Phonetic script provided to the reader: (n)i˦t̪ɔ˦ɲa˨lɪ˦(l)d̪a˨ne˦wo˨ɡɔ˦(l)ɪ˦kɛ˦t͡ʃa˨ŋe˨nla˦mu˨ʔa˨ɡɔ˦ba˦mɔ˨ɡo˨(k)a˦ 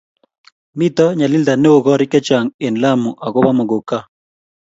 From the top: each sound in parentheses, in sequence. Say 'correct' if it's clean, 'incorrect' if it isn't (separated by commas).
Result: incorrect, correct, incorrect, correct